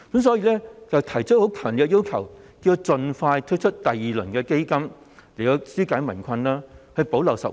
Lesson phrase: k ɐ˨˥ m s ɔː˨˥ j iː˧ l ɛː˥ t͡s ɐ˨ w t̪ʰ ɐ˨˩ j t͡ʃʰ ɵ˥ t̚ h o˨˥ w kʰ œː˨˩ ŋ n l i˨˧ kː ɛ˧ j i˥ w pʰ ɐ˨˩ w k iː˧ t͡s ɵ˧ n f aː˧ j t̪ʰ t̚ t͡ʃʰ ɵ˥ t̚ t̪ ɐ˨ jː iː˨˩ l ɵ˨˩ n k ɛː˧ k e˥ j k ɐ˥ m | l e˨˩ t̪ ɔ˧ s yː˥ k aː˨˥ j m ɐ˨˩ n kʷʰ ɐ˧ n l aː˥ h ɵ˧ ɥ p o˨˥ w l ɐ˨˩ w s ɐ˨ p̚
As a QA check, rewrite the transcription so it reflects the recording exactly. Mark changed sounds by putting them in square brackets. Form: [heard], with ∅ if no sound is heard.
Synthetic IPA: k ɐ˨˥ m s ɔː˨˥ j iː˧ l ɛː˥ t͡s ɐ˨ w t̪ʰ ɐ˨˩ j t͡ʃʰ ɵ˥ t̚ h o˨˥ w kʰ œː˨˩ ŋ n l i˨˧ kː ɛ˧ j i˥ w [kʰ] ɐ˨˩ w k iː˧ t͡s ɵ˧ n f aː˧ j t̪ʰ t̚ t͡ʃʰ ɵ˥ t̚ t̪ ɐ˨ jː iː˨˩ l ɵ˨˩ n k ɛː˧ k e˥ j k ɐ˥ m | l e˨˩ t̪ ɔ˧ s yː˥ k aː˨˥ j m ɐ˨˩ n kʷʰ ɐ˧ n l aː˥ h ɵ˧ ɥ p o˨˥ w l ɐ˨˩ w s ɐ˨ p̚

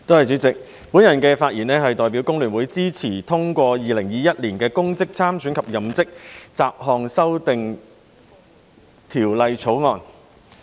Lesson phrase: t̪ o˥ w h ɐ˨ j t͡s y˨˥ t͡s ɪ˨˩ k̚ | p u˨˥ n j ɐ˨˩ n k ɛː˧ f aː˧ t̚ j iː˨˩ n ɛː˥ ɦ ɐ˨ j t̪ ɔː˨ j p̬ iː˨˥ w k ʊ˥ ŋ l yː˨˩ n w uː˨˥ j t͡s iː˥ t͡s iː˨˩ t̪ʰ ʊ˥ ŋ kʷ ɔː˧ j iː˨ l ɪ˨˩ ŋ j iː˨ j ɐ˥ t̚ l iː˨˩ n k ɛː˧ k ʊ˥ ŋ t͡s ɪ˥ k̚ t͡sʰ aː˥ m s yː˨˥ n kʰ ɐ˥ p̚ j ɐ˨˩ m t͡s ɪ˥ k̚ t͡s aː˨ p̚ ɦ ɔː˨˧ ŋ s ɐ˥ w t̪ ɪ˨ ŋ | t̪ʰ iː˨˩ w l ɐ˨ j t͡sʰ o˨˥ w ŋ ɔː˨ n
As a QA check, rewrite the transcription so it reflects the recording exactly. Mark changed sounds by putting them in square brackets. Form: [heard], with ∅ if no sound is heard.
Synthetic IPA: t̪ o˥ w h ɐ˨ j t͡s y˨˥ t͡s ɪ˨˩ k̚ | p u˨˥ n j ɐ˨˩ n k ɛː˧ f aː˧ t̚ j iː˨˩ n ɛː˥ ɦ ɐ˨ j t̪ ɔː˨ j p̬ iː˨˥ w k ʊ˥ ŋ l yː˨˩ n w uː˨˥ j t͡s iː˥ [t͡sʰ] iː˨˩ t̪ʰ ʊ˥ ŋ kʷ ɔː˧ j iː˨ l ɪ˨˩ ŋ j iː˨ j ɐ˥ t̚ l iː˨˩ n k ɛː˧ k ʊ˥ ŋ t͡s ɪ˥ k̚ t͡sʰ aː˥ m s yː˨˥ n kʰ [ɐ˨] p̚ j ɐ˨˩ m t͡s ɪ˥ k̚ t͡s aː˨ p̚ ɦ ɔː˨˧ ŋ s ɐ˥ w t̪ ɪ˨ ŋ | t̪ʰ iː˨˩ w l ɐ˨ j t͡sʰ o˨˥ w ŋ ɔː˨ n

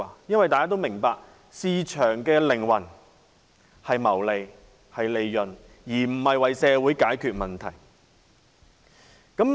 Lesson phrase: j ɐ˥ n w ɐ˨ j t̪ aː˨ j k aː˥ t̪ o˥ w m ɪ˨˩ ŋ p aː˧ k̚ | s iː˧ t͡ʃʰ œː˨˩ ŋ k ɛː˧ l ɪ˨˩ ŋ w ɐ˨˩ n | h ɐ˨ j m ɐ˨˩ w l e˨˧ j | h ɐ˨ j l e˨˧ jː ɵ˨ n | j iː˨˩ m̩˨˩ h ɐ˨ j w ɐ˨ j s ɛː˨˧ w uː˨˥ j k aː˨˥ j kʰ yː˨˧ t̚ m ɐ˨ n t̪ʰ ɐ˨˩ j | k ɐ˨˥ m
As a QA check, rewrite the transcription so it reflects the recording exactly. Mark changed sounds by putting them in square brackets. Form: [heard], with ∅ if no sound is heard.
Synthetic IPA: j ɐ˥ n w ɐ˨ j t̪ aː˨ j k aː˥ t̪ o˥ w m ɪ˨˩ ŋ p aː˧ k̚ | s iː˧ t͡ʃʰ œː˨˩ ŋ k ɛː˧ l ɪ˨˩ ŋ w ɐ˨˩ n | h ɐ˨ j m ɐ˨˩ w l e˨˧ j | h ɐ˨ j l e˨˧ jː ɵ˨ n | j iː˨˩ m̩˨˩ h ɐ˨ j w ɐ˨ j s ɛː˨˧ w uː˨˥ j k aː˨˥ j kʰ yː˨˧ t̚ m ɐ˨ n t̪ʰ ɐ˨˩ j | k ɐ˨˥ m

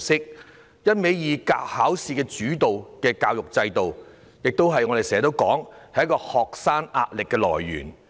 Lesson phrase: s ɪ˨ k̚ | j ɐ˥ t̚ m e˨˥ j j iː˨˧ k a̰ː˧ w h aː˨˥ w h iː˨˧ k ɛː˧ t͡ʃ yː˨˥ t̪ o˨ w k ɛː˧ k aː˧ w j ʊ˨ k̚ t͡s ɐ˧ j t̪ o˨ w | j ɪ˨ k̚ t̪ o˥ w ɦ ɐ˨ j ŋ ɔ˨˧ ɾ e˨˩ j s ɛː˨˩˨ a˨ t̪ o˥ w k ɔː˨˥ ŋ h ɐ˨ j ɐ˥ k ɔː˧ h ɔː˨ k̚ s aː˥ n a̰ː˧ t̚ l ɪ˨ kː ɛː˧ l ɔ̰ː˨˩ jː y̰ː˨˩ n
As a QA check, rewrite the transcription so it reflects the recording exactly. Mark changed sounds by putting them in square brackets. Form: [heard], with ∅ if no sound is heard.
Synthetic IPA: s [ɪ˥] k̚ | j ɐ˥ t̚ m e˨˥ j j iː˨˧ k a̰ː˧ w h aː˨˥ w [s] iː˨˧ k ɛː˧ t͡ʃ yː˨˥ t̪ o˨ w k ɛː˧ k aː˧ w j ʊ˨ k̚ t͡s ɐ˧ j t̪ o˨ w | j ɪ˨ k̚ t̪ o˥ w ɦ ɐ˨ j ŋ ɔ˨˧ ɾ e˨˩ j s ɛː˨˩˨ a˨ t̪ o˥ w k ɔː˨˥ ŋ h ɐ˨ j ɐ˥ k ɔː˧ h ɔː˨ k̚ s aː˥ n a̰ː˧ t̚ l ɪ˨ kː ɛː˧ l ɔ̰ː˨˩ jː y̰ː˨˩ n

